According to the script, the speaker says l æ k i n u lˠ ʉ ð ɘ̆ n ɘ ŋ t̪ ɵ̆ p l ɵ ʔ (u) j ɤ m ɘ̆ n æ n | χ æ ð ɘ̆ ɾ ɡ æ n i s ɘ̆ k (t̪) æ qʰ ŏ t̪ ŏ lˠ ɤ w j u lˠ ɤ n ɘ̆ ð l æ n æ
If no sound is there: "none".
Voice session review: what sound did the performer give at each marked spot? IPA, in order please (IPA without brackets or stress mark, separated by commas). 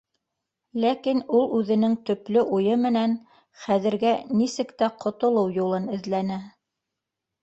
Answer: u, t̪